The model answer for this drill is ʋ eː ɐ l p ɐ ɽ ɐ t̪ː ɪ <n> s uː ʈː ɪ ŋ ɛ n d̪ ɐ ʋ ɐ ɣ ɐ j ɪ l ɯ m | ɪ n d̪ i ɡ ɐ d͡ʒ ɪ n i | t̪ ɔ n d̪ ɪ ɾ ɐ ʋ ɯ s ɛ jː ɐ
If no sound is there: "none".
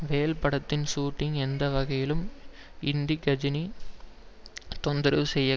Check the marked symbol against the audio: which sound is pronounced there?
n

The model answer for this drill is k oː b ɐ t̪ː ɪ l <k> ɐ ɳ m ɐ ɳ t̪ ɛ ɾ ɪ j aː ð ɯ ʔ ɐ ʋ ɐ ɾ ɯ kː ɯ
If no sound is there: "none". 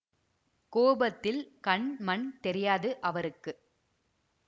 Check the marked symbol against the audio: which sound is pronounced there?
k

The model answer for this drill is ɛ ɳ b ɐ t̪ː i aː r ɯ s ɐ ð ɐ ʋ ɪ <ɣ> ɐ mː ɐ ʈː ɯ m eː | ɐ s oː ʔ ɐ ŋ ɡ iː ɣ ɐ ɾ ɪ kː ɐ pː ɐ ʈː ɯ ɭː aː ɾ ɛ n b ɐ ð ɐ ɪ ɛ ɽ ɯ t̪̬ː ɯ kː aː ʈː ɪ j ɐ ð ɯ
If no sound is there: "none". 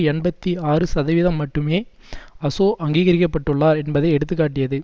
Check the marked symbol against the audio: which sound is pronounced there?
ð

